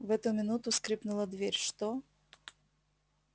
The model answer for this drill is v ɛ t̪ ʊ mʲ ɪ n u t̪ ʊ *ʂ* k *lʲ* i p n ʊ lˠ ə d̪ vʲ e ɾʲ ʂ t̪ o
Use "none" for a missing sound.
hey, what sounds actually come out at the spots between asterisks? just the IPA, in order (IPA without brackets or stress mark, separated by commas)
s, ɾʲ